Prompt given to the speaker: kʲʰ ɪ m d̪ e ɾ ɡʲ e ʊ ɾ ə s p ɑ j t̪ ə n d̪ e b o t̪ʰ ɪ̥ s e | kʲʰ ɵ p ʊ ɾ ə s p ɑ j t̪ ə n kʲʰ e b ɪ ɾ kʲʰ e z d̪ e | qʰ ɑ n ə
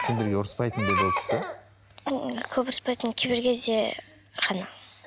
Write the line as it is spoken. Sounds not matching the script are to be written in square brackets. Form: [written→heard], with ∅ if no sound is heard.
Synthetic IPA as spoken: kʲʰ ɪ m d̪ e ɾ ɡʲ e ʊ ɾ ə s p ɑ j t̪ ə n d̪ e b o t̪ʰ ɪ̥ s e | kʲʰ ɵ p ʊ ɾ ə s p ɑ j t̪ ə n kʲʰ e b ɪ ɾ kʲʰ e z d̪ e | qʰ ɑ n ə